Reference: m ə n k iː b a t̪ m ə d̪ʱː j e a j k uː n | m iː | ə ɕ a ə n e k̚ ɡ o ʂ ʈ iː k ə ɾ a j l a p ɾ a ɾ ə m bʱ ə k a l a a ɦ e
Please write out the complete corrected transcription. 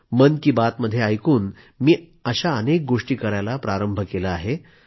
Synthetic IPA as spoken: m ə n k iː b a t̪ m ə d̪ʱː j e a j k uː n | m iː | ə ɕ a ə n e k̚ ɡ o ʂ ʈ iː k ə ɾ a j l a p ɾ a ɾ ə m bʱ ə k e l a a ɦ e